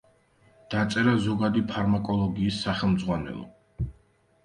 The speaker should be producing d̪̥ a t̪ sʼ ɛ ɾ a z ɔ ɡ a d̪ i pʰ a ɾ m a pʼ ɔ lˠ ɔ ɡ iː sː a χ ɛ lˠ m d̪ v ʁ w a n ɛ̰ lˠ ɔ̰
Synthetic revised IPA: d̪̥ a t̪ sʼ ɛ ɾ a z ɔ ɡ a d̪ i pʰ a ɾ m a kʼ ɔ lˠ ɔ ɡ iː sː a χ ɛ lˠ m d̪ z ʁ w a n ɛ̰ lˠ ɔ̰